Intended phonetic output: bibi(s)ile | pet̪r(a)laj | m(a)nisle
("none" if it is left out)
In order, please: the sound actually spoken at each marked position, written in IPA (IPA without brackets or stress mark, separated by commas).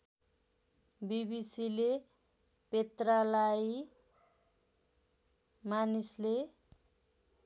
s, a, a